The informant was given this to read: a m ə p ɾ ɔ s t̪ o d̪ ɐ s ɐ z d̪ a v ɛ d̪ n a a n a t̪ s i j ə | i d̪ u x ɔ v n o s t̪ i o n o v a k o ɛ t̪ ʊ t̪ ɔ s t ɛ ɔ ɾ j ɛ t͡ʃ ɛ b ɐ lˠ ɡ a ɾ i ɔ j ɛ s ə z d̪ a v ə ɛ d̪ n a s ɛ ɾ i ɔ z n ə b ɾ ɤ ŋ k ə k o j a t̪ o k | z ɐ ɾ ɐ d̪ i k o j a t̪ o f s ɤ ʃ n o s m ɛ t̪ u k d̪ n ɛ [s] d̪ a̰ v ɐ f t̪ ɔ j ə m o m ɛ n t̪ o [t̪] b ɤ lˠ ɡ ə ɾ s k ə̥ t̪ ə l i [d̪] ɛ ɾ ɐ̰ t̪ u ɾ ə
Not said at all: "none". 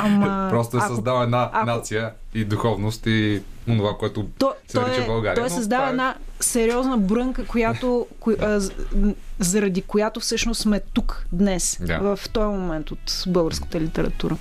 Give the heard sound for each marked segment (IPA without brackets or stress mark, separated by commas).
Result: s, t̪, t̪